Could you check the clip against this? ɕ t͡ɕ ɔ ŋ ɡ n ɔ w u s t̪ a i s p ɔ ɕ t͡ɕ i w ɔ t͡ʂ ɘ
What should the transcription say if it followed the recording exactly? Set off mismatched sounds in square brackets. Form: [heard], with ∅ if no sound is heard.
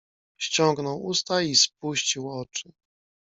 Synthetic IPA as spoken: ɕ t͡ɕ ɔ ŋ ɡ n ɔ w u s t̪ a i s p [u] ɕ t͡ɕ i w ɔ t͡ʂ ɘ